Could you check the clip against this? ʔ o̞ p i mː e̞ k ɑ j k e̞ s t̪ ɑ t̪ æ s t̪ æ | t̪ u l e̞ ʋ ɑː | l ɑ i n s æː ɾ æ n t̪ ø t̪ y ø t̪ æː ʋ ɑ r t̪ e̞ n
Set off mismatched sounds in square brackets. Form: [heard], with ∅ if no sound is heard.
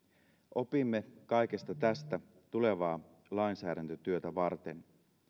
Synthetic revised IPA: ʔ o̞ p i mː e̞ k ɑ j k e̞ s t̪ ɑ t̪ æ s t̪ æ | t̪ u l e̞ ʋ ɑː | l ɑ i n s æː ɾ æ n t̪ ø t̪ y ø t̪ [æ] ʋ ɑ r t̪ e̞ n